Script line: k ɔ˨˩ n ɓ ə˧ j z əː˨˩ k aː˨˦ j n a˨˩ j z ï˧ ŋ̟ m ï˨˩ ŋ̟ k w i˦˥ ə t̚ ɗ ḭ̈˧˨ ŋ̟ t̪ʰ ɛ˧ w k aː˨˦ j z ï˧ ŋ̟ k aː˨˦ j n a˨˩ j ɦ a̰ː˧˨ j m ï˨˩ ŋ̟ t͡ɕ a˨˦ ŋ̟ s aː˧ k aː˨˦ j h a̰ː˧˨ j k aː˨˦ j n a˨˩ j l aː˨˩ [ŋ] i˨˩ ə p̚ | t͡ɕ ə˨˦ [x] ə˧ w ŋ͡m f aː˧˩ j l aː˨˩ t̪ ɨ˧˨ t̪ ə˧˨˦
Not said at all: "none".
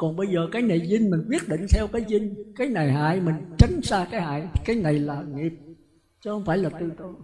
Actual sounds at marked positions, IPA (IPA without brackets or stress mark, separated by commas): ŋ, h